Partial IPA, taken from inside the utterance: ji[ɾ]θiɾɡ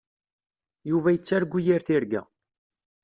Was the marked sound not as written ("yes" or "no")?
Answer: no